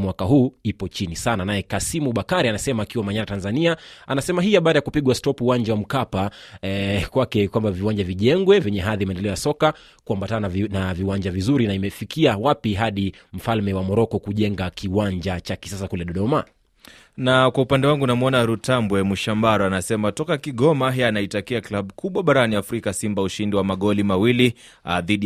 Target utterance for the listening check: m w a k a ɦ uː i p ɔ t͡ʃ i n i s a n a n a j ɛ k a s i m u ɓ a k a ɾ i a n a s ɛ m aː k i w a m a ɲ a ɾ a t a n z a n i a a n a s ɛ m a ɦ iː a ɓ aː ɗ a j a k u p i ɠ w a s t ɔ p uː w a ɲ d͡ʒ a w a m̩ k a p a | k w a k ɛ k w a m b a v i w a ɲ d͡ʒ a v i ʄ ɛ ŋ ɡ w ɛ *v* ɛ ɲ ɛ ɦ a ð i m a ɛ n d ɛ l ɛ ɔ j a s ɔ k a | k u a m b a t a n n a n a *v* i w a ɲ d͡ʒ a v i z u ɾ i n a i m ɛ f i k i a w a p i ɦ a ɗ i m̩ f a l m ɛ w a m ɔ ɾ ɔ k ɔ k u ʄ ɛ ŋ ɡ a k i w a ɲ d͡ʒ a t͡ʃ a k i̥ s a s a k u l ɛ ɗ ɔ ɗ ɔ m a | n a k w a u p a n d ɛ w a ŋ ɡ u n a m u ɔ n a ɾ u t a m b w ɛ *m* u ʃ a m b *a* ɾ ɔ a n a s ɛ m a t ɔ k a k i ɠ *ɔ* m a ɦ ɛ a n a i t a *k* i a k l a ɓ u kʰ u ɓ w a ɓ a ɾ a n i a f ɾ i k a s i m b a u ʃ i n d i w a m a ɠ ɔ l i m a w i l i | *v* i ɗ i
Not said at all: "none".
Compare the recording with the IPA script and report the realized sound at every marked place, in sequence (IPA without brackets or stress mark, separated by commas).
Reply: v, v, m, a, ɔ, k, ð